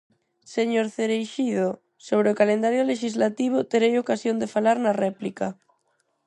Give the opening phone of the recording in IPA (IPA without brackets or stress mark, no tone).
s